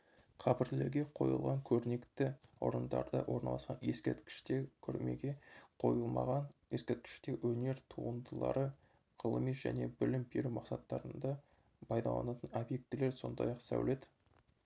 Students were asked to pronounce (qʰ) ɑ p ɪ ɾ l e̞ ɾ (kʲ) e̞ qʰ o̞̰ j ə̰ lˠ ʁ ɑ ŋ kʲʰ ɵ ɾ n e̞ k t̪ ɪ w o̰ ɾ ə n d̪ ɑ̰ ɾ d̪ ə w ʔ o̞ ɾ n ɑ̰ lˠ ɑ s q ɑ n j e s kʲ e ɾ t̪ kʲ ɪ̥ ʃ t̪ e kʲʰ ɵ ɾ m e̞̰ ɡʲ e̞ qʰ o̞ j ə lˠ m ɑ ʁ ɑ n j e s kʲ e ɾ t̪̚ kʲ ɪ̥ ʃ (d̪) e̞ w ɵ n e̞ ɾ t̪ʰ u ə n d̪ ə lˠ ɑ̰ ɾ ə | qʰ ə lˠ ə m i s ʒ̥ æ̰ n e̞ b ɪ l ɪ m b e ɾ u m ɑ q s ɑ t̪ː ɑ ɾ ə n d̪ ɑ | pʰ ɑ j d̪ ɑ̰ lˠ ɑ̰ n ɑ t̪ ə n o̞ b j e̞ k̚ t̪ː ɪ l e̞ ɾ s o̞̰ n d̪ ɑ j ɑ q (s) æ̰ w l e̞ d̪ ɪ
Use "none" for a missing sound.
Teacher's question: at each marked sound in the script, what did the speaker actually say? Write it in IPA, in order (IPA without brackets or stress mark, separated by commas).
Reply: qʰ, ɡʲ, t̪, s